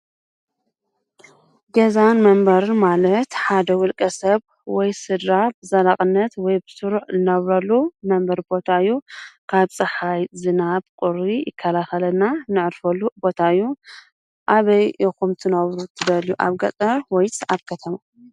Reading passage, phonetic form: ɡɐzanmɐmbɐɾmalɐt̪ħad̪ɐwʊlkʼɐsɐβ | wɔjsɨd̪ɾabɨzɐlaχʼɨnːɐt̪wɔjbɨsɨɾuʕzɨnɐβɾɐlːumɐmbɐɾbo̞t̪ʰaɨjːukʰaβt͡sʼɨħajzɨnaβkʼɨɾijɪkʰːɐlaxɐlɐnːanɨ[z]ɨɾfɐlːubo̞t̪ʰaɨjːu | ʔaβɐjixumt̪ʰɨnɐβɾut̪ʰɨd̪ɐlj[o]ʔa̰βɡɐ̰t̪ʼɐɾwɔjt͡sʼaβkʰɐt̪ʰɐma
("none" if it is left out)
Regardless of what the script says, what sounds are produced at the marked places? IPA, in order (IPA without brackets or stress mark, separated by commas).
ʕ, u